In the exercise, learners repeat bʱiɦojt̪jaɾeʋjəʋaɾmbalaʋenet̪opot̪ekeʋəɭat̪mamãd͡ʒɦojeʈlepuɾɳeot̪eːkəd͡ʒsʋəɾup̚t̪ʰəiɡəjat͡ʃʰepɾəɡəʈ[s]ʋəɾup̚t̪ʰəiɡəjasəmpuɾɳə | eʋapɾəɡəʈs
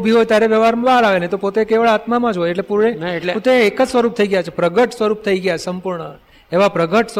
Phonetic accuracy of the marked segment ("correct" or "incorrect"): correct